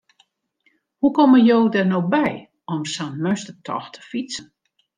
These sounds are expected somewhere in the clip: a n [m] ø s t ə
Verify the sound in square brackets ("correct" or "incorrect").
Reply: correct